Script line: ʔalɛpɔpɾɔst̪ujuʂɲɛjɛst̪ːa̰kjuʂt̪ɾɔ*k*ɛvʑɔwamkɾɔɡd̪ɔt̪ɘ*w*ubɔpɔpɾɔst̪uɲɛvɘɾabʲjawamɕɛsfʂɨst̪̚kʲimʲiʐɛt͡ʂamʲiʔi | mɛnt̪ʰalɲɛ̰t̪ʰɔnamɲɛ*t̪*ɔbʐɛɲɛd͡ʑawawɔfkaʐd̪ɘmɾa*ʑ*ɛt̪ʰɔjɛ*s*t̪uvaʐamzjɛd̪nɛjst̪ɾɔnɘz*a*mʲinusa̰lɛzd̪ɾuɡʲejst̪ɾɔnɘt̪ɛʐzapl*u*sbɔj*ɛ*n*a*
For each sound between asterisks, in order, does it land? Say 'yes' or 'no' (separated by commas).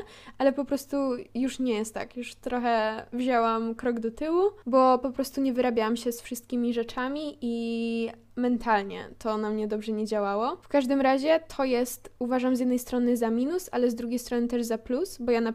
no, yes, no, yes, yes, yes, yes, no, yes